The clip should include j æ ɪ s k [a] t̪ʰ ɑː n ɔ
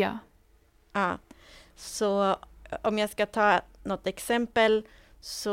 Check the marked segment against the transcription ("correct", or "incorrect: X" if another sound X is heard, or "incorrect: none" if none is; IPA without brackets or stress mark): incorrect: ɑ